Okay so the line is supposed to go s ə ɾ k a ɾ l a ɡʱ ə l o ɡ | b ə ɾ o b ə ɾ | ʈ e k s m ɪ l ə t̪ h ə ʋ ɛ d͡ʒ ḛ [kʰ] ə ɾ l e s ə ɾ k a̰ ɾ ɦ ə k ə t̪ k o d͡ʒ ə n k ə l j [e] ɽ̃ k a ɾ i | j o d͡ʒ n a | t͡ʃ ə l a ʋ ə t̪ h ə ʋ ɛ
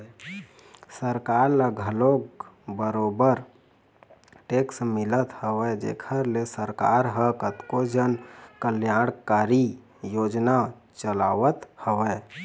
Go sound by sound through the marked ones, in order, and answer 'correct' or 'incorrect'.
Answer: correct, incorrect: a

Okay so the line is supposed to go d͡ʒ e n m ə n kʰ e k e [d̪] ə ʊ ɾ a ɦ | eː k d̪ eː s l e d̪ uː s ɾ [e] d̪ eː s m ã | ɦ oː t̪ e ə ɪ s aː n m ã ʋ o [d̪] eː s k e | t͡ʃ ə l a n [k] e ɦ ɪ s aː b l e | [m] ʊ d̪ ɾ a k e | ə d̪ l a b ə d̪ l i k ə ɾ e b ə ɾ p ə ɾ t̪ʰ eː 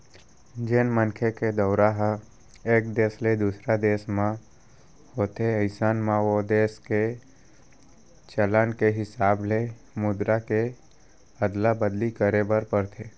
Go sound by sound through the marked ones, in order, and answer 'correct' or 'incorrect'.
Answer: correct, incorrect: a, correct, correct, correct

